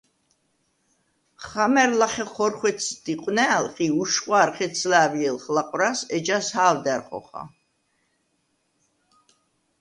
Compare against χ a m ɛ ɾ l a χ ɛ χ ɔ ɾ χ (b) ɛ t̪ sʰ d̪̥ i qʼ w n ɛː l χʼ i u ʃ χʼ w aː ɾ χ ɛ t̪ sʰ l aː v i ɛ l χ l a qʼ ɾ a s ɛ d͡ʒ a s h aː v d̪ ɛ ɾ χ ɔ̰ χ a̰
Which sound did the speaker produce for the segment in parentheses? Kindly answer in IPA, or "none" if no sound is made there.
w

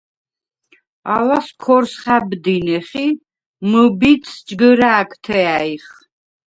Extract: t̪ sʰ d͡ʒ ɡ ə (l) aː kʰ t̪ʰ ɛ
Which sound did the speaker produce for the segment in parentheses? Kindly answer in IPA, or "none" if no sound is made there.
ɾ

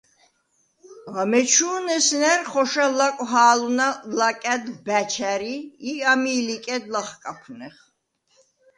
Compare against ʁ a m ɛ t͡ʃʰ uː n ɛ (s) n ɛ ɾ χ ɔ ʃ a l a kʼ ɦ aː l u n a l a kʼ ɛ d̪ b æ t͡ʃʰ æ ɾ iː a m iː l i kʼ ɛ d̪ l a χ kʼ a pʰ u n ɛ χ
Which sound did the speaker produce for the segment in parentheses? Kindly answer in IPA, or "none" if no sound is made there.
s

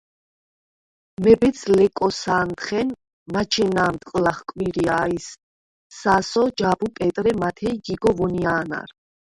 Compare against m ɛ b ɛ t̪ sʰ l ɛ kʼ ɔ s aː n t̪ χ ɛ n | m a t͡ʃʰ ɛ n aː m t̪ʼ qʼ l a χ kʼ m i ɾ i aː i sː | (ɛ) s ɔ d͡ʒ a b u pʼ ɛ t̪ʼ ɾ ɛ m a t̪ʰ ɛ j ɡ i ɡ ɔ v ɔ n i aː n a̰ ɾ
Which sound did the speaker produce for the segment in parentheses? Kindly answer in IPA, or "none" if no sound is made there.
a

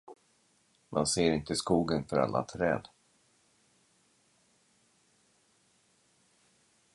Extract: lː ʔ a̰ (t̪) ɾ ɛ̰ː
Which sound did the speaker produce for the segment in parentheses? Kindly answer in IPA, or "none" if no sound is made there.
t̪ʰ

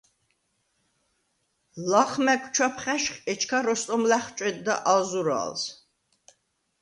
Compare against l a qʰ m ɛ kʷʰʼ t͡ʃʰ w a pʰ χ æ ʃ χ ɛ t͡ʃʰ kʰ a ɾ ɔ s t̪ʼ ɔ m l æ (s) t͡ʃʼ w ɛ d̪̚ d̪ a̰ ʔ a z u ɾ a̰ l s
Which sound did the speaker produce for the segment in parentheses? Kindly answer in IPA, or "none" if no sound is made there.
χ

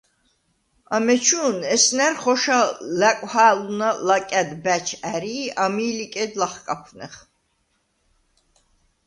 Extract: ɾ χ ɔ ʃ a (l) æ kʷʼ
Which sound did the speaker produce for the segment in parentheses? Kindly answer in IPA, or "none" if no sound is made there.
l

